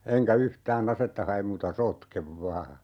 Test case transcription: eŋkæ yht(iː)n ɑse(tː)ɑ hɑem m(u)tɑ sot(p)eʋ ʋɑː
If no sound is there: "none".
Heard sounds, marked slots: æː, tː, uː, k

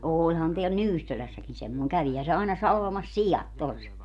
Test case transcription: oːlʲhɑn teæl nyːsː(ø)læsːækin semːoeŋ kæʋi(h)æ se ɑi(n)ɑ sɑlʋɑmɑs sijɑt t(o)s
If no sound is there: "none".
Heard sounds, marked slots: ø, h, n, o

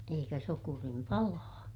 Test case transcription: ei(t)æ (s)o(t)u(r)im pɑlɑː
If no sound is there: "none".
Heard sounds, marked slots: k, s, k, r

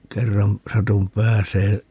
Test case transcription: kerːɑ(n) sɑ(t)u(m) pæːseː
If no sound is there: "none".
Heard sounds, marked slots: m, t, m

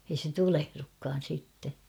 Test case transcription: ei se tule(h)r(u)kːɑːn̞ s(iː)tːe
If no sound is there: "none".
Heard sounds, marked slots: h, u, i

